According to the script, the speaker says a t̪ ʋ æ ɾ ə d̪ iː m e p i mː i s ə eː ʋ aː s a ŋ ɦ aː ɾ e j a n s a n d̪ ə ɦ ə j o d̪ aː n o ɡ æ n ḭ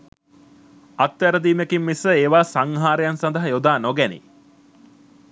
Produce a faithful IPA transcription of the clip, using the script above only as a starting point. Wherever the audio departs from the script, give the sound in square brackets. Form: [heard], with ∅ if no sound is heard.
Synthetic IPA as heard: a t̪ ʋ æ ɾ ə d̪ iː m e [k] i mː i s ə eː ʋ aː s a ŋ ɦ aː ɾ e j a n s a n d̪ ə ɦ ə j o d̪ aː n o ɡ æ n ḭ